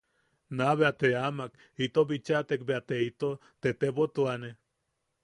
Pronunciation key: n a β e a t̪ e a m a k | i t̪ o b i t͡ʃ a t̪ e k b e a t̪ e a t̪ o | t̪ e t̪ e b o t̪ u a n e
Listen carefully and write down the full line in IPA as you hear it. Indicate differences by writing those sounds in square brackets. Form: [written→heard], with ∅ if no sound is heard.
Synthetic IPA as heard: n a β e a t̪ e a m a k | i t̪ o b i t͡ʃ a t̪ e k b e a t̪ e [a→i] t̪ o | t̪ e t̪ e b o t̪ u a n e